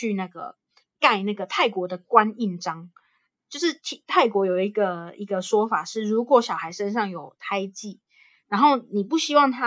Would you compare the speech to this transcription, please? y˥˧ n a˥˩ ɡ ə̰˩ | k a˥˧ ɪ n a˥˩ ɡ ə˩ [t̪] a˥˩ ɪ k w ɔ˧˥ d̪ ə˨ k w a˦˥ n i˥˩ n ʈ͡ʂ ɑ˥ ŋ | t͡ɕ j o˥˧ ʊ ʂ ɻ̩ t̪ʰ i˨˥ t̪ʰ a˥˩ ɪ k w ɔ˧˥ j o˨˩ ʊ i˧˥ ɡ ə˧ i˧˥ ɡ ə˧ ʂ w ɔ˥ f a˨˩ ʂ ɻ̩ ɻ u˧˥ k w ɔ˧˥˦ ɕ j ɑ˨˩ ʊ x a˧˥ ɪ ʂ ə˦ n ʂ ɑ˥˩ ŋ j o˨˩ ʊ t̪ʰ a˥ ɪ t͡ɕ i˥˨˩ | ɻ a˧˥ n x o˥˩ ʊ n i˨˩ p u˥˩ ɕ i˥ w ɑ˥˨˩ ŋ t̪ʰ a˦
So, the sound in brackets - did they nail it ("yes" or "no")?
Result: no